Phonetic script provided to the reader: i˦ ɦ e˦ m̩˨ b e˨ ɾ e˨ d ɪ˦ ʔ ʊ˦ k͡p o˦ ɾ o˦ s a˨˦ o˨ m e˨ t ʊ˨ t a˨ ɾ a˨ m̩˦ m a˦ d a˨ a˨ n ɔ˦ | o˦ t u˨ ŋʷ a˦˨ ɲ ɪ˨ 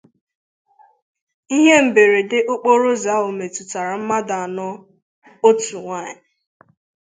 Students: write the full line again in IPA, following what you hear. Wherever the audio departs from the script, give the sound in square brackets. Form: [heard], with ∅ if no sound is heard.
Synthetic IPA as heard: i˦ ɦ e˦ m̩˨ b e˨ ɾ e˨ d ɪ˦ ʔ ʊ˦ k͡p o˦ ɾ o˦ [z] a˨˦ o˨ m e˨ t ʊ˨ t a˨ ɾ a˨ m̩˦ m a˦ d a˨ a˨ n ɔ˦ | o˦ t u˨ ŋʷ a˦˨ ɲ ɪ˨